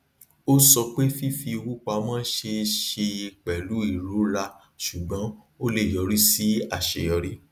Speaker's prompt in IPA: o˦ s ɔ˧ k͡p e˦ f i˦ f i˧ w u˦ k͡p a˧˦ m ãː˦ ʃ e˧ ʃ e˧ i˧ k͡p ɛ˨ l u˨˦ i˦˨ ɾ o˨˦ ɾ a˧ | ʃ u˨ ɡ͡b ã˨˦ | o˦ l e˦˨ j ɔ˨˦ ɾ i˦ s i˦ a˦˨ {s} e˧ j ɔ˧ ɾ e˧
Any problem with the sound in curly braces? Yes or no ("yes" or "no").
yes